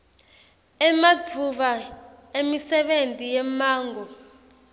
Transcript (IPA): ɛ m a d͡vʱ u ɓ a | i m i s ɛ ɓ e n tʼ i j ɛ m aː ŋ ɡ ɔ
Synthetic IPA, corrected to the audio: ɛ m a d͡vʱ u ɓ a | e m i s ɛ ɓ e n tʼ i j ɛ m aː ŋ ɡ ɔ